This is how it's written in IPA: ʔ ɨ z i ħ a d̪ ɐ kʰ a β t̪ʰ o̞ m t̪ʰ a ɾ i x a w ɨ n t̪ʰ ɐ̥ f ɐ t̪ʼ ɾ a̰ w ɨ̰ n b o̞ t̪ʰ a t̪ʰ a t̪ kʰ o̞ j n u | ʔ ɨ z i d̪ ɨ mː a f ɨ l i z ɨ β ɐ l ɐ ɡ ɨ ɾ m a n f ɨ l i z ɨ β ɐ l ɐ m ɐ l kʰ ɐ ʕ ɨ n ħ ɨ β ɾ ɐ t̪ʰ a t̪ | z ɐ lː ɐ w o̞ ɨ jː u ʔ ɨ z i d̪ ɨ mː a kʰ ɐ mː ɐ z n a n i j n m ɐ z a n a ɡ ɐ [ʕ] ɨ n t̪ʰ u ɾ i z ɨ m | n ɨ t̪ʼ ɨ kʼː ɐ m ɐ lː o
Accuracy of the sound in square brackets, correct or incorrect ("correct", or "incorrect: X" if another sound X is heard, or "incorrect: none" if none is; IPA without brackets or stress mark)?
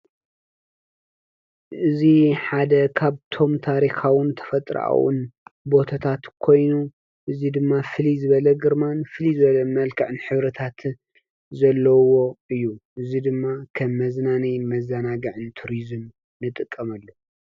correct